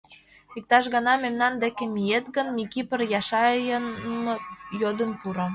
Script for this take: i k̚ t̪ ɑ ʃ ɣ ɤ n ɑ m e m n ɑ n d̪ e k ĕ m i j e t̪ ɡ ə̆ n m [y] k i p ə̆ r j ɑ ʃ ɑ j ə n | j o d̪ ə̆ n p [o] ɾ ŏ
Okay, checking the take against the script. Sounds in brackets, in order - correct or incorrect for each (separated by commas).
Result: incorrect, incorrect